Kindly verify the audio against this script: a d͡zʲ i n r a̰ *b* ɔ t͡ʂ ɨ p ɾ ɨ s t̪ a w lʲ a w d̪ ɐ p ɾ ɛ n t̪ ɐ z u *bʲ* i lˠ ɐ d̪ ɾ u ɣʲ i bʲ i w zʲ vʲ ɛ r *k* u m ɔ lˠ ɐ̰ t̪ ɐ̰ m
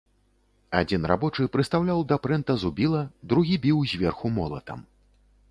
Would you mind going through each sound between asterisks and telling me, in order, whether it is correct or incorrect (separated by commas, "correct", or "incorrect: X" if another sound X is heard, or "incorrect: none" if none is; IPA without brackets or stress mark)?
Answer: correct, correct, incorrect: x